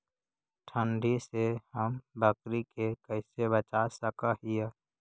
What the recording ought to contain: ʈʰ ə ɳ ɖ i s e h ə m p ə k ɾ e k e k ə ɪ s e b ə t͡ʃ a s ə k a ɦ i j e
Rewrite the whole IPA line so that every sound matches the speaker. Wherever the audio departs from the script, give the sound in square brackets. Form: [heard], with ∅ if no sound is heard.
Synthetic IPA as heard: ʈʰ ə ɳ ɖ i s e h ə m [b] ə k ɾ [i] k e k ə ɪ s e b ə t͡ʃ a s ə k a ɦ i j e